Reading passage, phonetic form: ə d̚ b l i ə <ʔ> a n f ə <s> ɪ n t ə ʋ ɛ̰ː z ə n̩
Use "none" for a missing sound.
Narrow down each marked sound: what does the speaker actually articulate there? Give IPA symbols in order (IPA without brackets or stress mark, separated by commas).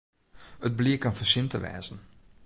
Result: k, s